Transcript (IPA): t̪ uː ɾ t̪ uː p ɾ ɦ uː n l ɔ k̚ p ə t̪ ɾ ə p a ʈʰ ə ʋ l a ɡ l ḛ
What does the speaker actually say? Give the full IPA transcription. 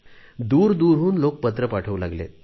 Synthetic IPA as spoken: d̪ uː ɾ d̪ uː ɾ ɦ uː n l o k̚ p ə t̪ ɾ ə p a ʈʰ ə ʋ l a ɡ l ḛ